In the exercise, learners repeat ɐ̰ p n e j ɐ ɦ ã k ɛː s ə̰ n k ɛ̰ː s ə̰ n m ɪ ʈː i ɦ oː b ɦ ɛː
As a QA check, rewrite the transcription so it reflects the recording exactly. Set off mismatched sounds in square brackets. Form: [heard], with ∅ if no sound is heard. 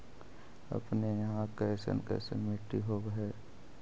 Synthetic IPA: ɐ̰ p n e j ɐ ɦ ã k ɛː s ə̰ n k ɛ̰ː s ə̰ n m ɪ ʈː i ɦ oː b ɦ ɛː